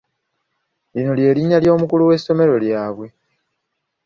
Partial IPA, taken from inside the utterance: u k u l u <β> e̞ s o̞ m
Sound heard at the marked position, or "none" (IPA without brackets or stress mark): w